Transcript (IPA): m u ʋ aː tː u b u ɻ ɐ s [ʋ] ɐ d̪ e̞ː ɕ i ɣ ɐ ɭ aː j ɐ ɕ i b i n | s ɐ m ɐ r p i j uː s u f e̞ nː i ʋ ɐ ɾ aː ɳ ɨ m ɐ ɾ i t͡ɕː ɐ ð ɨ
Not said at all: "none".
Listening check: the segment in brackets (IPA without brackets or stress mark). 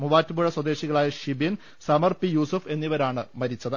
w